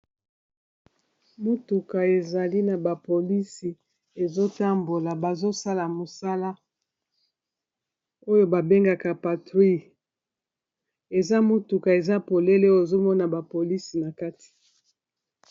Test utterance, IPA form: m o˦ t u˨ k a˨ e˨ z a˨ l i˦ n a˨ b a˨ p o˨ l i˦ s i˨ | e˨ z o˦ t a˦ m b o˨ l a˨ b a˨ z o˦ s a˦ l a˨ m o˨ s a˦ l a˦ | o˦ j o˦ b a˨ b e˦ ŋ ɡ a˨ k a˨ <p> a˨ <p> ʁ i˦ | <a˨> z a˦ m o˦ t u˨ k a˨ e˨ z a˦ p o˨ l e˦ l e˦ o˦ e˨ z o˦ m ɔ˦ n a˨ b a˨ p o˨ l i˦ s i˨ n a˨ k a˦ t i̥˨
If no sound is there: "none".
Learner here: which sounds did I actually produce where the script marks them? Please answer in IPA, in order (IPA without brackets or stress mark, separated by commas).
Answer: p, t, e˨